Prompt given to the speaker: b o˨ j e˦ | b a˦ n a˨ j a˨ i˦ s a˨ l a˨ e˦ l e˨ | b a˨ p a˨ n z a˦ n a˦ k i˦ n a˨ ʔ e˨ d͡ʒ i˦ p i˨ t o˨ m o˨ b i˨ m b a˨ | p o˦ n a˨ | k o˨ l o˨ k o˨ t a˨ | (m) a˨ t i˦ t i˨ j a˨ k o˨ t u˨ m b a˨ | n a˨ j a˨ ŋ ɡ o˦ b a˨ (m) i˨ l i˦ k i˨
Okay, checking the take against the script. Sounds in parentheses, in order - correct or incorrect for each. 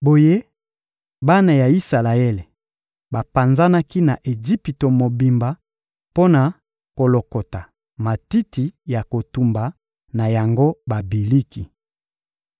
correct, incorrect: b

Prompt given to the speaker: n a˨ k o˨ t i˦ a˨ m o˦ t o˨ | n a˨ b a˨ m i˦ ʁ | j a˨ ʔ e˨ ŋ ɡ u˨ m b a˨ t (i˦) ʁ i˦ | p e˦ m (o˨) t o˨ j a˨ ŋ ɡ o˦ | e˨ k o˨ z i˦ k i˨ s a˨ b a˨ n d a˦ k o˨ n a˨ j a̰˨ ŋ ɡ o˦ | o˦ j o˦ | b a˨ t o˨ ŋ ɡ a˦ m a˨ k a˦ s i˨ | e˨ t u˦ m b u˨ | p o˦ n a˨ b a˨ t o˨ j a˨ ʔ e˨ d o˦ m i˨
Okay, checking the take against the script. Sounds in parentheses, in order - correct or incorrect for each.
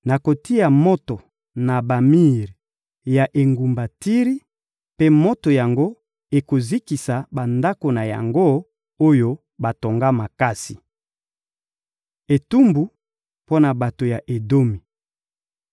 correct, incorrect: o˦

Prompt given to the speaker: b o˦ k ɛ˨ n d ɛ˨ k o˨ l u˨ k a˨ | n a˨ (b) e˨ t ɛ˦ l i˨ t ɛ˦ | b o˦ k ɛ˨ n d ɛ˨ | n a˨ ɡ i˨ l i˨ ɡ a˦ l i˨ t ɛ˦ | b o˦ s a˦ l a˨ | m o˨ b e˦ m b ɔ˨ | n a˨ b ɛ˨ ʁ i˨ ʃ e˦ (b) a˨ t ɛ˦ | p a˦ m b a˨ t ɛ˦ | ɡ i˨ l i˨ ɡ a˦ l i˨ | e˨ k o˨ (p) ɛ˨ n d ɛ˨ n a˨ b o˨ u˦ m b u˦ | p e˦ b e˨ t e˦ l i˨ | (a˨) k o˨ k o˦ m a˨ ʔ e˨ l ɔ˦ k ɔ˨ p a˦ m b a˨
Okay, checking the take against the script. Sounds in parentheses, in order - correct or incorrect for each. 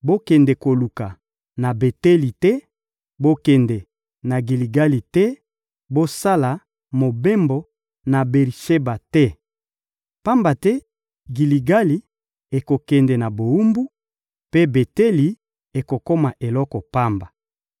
correct, correct, incorrect: k, incorrect: e˨

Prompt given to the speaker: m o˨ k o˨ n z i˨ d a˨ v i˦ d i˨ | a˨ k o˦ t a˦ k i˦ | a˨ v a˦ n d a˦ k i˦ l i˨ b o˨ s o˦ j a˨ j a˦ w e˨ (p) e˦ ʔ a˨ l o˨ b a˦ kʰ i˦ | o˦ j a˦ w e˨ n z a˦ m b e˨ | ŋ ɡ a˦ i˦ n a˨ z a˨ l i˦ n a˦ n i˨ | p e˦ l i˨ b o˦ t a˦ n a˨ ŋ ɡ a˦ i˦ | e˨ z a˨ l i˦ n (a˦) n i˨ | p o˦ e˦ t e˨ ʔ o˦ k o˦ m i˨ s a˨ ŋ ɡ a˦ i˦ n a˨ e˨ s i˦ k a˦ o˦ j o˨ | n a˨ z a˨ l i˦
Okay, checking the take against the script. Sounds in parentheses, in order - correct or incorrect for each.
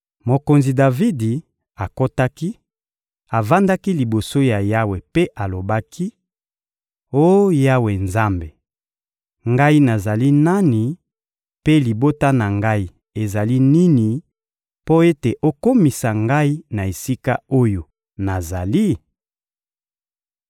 correct, incorrect: i˦

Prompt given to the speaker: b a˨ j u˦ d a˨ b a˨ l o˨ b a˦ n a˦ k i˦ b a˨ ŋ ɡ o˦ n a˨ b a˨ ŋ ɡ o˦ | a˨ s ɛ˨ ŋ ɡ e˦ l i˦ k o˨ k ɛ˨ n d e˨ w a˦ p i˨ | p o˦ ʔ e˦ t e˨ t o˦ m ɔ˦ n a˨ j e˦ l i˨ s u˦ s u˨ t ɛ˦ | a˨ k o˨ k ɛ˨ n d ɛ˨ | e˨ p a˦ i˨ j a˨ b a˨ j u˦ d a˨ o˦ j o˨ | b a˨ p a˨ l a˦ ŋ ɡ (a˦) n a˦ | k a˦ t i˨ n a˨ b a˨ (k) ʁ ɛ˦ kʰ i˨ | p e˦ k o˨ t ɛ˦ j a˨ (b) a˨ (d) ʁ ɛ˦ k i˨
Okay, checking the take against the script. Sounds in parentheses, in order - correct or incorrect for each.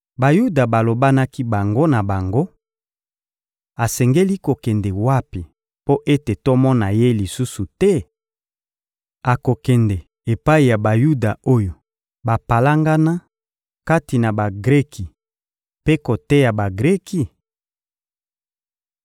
correct, incorrect: ɡ, correct, incorrect: ɡ

